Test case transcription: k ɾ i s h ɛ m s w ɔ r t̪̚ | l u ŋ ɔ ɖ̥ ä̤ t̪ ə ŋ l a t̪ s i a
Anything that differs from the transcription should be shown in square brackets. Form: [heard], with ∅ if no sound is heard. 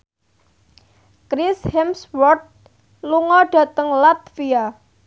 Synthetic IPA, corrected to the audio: k ɾ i s h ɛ m s w ɔ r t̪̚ | l u ŋ ɔ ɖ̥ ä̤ t̪ ə ŋ l a t̪ [f] i a